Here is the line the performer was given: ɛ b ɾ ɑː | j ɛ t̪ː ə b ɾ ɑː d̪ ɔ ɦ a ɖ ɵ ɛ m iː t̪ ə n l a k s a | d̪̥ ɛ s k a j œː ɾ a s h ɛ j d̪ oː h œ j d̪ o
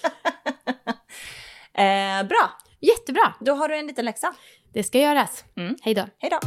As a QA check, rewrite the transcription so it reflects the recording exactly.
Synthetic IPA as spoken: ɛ b ɾ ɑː | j ɛ t̪ː ə b ɾ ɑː d̪ ɔ ɦ a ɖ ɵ ɛ n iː t̪ ə n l ɛ k s a | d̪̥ ɛ s k a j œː ɾ a s h ɛ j d̪ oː h ɛ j d̪ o